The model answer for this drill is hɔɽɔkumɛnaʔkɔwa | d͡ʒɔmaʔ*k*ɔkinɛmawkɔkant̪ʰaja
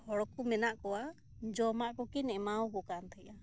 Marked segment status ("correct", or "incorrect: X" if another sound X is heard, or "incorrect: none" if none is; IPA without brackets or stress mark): correct